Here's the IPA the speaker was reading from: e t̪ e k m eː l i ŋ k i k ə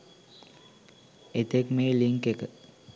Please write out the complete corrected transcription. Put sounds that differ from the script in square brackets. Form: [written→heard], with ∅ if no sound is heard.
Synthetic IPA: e t̪ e k m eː l i ŋ k [i→e] k ə